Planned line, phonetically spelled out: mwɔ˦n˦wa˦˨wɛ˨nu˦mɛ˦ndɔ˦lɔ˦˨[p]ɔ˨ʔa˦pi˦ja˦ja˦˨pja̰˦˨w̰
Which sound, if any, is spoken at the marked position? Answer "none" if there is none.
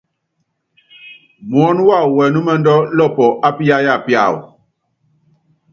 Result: p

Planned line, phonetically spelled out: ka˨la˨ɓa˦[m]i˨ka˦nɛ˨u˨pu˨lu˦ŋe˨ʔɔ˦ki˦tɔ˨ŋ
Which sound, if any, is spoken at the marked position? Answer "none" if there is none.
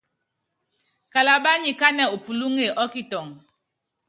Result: ɲ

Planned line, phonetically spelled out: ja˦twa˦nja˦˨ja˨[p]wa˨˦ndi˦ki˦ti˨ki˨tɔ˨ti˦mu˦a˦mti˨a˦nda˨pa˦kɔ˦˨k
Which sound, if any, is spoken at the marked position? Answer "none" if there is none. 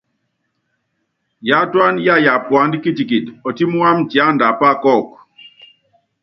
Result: p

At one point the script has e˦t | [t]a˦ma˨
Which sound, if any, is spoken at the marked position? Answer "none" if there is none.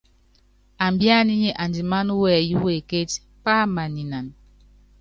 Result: p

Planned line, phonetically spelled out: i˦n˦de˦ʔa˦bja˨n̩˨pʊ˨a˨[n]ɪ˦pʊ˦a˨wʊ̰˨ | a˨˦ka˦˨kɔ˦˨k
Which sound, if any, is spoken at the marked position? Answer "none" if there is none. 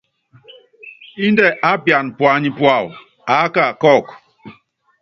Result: ɲ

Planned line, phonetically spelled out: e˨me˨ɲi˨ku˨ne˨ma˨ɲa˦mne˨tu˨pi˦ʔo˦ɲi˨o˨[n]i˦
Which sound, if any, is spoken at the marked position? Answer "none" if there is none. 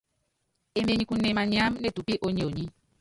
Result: ɲ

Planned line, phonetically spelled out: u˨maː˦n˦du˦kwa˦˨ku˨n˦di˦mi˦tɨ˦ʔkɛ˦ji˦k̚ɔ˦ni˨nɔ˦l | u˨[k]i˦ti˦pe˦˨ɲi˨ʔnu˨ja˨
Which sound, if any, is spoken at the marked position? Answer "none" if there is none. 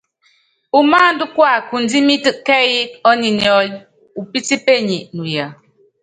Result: p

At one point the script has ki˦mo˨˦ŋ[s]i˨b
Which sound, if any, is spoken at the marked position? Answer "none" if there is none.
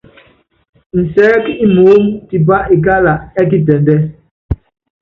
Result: t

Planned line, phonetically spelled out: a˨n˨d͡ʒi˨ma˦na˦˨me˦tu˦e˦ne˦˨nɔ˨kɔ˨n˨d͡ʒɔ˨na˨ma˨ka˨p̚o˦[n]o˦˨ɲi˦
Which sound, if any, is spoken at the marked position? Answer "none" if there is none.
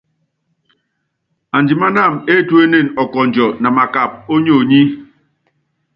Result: ɲ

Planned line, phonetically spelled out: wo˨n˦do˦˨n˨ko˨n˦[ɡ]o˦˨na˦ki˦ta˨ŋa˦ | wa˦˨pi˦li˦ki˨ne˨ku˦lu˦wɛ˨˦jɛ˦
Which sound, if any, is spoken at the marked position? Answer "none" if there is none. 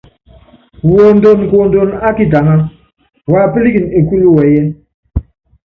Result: d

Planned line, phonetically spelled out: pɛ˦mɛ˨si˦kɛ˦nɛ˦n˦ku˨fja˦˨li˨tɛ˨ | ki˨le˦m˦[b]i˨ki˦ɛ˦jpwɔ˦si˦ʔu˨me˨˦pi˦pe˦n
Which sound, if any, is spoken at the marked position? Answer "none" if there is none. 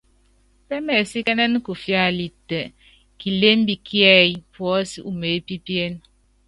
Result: b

